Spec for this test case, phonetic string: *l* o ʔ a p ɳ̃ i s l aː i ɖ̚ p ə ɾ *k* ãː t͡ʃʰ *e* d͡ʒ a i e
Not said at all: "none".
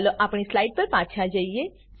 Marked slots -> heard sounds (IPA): l, p, a

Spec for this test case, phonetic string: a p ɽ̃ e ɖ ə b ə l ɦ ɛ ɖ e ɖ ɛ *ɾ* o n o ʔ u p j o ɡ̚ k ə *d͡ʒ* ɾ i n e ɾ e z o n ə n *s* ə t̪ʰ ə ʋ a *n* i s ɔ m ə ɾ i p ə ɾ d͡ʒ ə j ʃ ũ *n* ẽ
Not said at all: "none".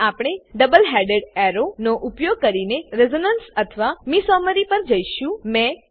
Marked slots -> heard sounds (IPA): ɾ, none, s, m, m

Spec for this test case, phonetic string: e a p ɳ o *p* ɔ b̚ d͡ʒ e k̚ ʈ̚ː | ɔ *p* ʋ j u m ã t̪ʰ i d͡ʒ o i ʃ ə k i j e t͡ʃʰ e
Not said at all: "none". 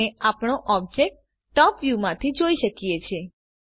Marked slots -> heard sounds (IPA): ʔ, p

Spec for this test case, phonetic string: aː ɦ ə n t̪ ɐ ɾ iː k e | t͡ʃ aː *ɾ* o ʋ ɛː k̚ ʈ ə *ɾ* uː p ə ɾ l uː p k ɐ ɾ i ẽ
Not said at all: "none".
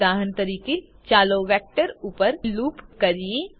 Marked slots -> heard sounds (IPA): l, ɾ

